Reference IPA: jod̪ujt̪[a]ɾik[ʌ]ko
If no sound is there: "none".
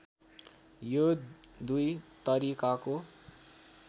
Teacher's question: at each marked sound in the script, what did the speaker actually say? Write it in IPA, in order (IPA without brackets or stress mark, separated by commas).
ʌ, a